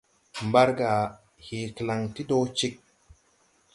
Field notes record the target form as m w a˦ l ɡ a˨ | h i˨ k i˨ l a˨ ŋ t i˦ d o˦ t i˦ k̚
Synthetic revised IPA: m b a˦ ɾ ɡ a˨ | h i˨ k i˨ l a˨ ŋ t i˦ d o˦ t͡ʃ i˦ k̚